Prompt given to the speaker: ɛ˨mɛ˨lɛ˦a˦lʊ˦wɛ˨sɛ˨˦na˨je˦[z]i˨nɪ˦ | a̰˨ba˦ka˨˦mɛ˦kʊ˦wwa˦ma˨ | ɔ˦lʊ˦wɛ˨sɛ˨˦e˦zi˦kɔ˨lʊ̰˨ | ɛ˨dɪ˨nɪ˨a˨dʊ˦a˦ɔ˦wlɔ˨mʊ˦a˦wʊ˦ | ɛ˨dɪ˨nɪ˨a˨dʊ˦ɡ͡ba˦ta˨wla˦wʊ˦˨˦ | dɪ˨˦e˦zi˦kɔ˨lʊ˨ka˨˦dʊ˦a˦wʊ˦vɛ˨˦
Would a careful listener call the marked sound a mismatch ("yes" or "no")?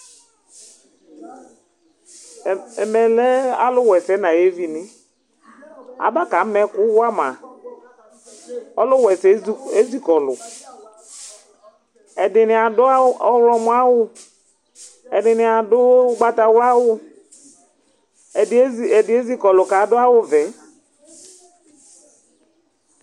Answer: yes